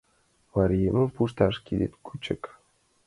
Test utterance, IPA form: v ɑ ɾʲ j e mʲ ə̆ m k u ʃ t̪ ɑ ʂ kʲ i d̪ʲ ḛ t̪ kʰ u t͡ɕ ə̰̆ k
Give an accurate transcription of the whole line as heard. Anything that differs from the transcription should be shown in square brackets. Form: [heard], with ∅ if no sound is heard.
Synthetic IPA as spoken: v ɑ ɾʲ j e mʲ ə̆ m [p] u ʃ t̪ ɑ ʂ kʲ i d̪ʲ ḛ t̪ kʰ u t͡ɕ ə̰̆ k